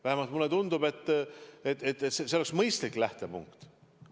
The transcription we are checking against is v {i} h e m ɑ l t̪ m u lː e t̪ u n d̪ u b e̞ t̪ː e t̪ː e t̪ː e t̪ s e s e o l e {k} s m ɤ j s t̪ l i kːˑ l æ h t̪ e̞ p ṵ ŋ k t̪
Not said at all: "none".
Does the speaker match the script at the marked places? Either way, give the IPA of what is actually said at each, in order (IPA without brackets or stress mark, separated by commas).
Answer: æ, k